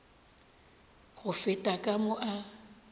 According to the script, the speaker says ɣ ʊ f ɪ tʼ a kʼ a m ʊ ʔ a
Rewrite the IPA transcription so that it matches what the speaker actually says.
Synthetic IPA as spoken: ɣ ʊ f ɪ tʼ a kʼ a m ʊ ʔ a